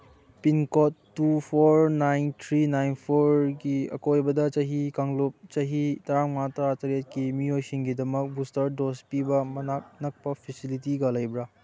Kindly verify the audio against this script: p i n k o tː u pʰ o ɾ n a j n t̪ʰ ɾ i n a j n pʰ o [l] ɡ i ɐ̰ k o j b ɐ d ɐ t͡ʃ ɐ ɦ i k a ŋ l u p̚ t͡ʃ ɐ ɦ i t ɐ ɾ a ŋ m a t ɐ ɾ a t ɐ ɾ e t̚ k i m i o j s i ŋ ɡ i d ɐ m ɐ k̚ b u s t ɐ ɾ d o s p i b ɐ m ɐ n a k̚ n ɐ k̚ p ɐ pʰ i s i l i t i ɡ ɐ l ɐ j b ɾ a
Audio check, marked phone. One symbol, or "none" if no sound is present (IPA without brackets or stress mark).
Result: ɾ